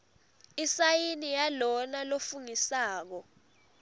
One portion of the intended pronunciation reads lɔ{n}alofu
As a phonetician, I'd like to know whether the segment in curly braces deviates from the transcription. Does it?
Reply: no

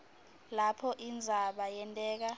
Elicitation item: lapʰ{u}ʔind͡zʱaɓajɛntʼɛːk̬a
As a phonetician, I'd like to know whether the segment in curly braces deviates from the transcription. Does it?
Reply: yes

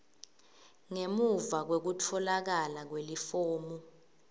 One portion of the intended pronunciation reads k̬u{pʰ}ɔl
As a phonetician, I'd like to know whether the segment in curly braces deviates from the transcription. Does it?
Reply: yes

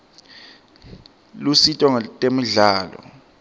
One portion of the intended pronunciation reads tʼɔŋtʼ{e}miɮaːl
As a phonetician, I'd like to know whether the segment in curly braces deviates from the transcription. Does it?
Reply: no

